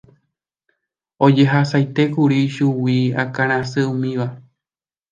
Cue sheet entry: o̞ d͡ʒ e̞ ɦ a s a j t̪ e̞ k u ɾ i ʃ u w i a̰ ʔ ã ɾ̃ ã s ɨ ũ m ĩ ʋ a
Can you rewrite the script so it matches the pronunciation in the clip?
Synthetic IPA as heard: o̞ d͡ʒ e̞ ɦ a s a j t̪ e̞ k u ɾ i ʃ u w i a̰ k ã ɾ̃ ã s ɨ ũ m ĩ ʋ a